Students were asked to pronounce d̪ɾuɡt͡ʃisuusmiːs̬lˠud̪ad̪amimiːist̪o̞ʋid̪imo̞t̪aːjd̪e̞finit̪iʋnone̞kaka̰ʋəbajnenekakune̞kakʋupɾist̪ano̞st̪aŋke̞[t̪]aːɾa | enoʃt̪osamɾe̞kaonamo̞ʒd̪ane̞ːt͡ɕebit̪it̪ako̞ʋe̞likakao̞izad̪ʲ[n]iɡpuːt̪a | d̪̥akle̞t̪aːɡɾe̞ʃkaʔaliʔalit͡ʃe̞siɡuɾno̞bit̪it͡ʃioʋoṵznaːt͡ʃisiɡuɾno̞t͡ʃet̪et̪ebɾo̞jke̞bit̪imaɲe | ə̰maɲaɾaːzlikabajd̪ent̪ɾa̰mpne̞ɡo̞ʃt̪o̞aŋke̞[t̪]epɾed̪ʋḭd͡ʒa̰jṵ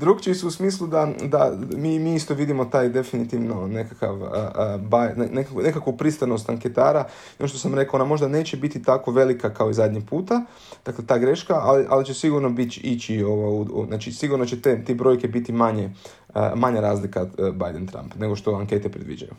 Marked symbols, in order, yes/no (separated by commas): yes, no, yes